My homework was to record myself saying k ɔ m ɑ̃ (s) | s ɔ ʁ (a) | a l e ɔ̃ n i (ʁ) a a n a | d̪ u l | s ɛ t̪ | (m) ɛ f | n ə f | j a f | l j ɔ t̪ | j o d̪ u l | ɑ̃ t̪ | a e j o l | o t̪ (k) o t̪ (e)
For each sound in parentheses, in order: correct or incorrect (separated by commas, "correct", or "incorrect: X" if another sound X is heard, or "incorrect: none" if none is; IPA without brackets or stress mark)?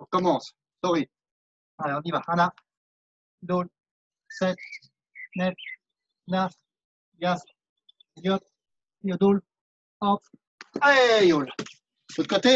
correct, incorrect: i, incorrect: v, incorrect: n, correct, correct